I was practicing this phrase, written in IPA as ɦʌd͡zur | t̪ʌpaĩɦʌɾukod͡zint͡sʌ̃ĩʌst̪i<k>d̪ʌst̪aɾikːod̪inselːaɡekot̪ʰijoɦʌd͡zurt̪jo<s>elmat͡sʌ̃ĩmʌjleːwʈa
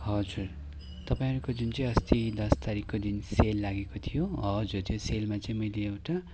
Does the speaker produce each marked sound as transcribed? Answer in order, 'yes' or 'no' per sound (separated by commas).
no, yes